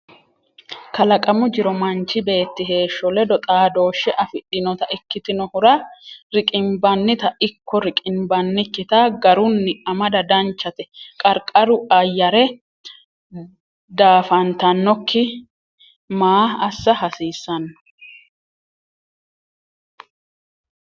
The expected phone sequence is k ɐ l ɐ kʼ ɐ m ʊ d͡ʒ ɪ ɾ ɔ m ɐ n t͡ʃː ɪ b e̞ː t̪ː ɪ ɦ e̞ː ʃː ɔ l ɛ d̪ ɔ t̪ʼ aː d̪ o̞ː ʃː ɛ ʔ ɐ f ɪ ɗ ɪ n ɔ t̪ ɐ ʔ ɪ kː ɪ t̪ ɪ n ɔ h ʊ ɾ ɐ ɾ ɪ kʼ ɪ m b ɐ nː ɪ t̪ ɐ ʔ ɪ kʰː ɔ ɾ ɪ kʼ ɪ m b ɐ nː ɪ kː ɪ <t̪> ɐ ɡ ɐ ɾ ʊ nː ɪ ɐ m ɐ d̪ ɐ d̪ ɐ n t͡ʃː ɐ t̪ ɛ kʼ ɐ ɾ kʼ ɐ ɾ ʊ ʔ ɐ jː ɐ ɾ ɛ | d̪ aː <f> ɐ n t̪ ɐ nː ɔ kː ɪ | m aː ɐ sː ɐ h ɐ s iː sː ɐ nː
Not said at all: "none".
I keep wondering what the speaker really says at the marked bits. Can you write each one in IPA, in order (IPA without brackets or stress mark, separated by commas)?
t̪, f